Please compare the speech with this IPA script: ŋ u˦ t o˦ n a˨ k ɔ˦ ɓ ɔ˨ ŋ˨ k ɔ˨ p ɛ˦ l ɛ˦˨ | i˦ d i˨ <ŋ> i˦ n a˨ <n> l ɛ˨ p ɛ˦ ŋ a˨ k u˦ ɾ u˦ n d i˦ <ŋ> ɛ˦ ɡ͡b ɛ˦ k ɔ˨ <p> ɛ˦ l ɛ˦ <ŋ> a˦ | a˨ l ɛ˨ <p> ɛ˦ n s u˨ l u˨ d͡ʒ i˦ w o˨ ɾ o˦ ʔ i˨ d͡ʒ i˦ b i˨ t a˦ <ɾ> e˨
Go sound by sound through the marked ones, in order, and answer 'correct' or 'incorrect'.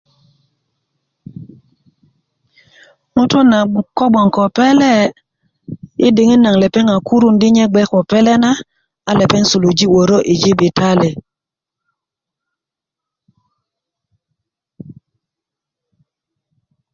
correct, incorrect: ŋ, incorrect: ɲ, correct, incorrect: n, correct, incorrect: l

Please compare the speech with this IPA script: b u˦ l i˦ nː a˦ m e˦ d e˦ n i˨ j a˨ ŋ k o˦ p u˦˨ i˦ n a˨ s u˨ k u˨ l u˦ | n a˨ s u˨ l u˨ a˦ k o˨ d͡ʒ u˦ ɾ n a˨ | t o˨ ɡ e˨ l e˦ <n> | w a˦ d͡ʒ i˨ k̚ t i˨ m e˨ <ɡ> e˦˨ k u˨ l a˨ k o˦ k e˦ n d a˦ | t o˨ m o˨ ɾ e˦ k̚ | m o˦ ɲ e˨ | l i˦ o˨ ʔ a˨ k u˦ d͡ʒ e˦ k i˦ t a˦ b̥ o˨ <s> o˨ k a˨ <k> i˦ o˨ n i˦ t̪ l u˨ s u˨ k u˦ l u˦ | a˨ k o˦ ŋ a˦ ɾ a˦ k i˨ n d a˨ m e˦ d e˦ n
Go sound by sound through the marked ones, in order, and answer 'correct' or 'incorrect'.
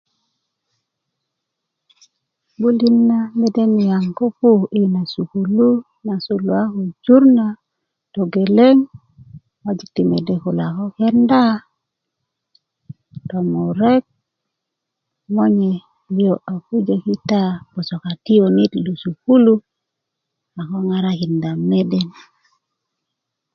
incorrect: ŋ, incorrect: d, correct, incorrect: t

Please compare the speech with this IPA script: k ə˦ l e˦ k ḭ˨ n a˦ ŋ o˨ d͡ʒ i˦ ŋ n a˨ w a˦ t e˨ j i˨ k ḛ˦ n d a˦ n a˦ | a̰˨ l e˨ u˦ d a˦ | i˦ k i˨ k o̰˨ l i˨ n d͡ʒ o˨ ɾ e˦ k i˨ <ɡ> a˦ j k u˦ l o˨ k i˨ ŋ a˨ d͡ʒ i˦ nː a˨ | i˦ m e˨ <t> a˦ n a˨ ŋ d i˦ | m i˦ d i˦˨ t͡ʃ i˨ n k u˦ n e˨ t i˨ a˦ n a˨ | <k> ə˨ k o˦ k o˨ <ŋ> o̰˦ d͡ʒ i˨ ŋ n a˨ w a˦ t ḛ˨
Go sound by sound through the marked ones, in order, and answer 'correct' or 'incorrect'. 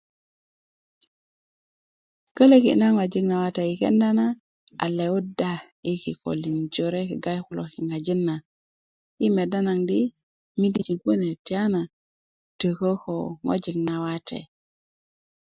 correct, incorrect: d, incorrect: t, correct

